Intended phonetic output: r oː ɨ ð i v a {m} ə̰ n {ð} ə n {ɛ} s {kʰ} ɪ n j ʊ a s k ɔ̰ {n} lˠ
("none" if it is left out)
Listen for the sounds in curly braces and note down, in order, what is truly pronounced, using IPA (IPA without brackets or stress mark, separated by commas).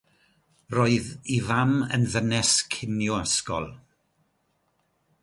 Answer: m, ð, ɛ, kʰ, none